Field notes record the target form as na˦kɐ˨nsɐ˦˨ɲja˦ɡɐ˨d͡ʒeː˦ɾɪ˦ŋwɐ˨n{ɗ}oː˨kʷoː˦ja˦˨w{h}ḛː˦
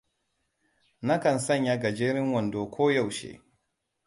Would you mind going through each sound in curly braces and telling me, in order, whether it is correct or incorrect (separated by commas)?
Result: incorrect, incorrect